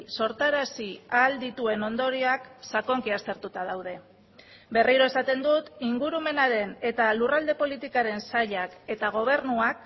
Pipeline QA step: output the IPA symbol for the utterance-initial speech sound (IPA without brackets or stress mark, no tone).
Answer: s